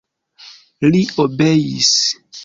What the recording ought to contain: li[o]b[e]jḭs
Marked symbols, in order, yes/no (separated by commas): yes, yes